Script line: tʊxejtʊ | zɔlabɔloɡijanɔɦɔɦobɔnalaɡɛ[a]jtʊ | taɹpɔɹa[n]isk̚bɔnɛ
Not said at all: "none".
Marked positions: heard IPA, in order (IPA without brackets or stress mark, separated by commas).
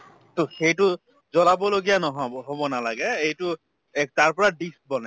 e, d